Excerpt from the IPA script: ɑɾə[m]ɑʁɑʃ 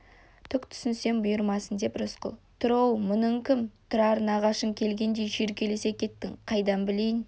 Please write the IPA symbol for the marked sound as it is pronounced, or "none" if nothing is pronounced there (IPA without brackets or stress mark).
n